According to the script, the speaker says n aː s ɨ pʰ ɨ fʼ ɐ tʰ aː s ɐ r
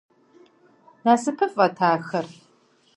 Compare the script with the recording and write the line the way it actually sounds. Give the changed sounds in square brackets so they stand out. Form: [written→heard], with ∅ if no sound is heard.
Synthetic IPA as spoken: n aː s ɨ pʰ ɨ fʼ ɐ tʰ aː [s→x] ɐ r